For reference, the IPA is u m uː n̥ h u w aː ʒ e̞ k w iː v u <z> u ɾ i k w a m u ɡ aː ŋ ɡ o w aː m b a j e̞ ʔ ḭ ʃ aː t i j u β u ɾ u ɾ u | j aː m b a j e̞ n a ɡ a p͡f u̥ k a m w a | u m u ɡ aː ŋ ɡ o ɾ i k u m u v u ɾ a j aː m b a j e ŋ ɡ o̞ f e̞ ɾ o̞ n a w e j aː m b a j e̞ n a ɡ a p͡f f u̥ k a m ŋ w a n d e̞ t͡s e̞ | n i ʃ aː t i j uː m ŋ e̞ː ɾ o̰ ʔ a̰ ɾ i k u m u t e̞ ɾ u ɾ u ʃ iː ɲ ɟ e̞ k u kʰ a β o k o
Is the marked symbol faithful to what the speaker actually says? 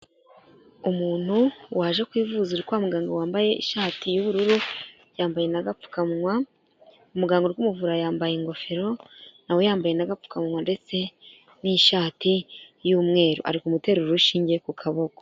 yes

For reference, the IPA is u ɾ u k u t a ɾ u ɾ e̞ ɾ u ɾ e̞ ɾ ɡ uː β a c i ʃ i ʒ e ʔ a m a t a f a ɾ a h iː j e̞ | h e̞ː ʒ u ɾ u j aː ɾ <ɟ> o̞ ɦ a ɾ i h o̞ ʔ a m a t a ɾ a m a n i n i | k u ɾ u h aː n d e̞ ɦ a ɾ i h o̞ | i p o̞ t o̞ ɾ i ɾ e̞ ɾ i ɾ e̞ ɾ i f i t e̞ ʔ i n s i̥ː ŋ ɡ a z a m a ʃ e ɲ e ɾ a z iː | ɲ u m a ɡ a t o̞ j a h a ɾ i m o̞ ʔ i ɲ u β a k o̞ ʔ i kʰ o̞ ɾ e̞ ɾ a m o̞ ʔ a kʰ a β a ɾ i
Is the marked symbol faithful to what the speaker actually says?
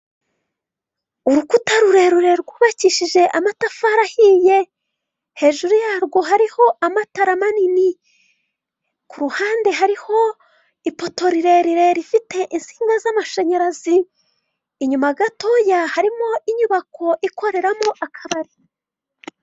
no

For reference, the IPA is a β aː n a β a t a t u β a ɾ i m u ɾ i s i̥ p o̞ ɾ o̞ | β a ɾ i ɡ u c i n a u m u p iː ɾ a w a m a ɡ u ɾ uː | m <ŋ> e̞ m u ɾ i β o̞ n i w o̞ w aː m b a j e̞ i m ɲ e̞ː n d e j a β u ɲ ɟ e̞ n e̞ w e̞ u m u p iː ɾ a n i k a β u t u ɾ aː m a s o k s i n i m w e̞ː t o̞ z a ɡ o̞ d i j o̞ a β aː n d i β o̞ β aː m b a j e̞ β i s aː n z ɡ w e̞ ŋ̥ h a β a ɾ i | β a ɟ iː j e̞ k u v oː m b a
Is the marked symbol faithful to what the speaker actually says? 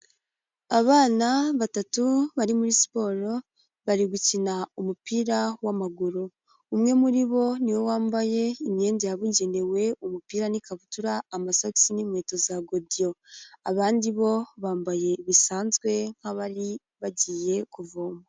yes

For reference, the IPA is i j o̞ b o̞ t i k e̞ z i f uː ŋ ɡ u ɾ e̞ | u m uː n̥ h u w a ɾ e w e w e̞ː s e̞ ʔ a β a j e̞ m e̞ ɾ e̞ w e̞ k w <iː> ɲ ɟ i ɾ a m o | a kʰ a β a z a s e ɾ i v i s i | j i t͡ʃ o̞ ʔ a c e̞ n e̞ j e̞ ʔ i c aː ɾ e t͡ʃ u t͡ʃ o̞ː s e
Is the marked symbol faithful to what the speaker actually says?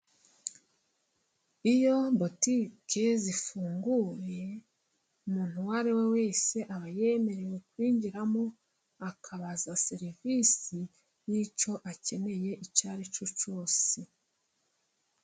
yes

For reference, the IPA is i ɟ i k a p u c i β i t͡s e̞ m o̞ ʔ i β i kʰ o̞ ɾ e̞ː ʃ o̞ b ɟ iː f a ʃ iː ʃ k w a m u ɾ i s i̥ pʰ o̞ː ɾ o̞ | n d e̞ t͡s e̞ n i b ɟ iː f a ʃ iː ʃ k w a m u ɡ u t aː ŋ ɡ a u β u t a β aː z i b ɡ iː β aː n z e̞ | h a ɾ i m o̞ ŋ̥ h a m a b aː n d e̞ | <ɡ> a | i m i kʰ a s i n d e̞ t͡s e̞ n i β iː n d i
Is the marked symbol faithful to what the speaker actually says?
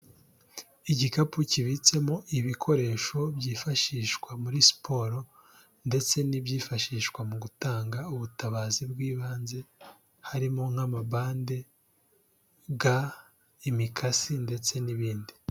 yes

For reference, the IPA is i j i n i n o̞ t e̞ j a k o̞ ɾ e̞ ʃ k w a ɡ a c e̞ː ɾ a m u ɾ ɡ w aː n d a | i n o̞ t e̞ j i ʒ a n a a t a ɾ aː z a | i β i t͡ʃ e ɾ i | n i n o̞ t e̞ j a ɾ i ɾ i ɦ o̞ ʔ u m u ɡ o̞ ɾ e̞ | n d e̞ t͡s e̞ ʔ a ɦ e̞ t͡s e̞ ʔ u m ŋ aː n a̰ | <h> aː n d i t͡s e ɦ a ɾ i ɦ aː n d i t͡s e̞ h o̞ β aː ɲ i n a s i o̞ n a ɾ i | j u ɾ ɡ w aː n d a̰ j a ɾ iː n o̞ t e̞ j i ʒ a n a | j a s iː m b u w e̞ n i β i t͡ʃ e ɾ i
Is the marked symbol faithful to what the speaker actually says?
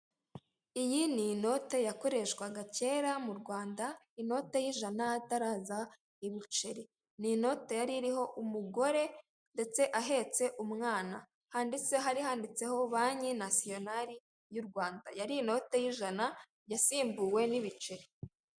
yes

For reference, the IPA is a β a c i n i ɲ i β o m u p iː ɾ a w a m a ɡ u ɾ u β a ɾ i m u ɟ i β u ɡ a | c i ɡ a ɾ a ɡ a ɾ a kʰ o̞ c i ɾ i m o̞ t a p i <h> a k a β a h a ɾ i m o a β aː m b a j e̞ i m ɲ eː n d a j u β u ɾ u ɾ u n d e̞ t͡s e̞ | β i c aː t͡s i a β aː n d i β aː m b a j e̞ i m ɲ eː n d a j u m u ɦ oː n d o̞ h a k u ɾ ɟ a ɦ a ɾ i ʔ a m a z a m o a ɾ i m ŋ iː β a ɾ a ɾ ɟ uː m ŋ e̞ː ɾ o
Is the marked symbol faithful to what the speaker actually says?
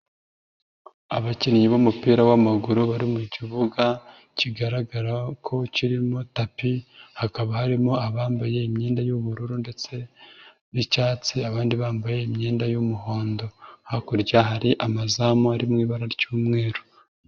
yes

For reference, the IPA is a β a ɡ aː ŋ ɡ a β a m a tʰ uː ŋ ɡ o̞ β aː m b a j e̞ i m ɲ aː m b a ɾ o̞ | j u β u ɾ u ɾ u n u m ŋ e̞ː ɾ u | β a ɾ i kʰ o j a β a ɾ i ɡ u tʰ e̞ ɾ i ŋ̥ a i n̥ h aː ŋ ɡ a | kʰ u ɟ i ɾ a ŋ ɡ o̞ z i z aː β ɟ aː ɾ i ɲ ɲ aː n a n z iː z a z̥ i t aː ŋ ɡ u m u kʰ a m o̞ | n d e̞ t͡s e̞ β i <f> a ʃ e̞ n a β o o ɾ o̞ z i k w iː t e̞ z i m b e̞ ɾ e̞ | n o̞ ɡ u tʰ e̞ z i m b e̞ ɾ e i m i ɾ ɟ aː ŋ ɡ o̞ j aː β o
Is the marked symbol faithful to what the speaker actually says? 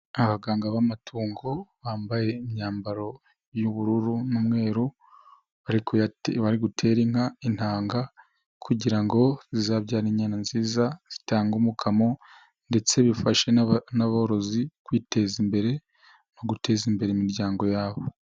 yes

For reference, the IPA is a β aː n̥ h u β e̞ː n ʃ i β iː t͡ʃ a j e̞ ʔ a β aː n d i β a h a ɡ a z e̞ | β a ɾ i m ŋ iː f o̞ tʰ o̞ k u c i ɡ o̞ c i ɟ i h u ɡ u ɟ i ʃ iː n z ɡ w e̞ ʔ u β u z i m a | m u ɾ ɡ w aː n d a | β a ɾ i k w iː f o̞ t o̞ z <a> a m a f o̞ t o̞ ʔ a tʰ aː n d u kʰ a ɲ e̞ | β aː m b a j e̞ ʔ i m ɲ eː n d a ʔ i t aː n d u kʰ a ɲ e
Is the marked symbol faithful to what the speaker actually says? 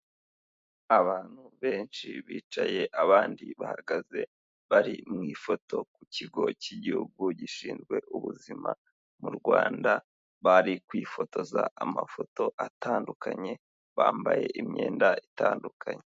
yes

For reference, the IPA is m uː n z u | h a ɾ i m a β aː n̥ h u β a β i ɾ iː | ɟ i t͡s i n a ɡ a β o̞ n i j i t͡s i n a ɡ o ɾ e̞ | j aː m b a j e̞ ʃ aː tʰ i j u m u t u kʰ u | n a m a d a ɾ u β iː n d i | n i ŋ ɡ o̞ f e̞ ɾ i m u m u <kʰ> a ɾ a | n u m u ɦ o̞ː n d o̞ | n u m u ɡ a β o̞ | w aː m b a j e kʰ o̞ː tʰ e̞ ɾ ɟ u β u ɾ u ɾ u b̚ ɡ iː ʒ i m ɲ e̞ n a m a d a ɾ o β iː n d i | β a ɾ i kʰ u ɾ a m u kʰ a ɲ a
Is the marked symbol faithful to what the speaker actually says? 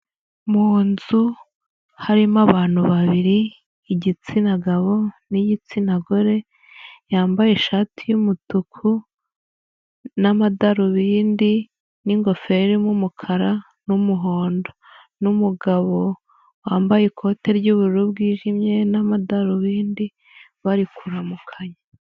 yes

